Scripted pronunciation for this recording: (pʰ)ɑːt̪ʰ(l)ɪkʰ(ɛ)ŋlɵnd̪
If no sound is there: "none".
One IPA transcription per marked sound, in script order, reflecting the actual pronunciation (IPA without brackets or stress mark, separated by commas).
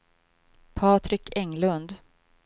pʰ, ɾ, ɛ